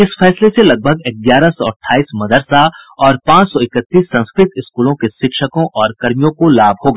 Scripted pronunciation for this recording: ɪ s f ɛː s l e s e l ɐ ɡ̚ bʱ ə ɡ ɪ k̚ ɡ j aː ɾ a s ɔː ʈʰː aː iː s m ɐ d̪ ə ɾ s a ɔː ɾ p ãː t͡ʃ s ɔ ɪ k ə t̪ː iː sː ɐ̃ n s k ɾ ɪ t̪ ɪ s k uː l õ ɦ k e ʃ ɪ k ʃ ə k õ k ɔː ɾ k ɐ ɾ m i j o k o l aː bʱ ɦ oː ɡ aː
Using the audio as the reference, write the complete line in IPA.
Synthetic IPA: ɪ s f ɛː s l e s e l ɐ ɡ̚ bʱ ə ɡ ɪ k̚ ɡ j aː ɾ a s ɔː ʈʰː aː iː s m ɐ d̪ ə ɾ s a ɔː ɾ p ãː t͡ʃ s ɔ ɪ k ə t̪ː iː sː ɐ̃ n s k ɾ ɪ t̪ ɪ s k uː l õ k e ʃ ɪ k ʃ ə k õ ʔ ɔː ɾ k ɐ ɾ m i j õ k o l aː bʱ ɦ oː ɡ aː